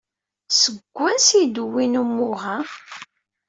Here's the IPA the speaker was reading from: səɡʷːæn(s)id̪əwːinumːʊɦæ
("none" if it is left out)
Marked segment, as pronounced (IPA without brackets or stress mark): s